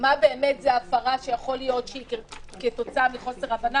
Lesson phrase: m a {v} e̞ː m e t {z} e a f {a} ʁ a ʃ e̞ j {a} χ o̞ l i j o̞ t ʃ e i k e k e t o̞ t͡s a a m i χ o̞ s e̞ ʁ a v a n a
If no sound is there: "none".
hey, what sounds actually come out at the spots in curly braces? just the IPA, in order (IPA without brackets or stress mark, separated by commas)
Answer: b, z, a, a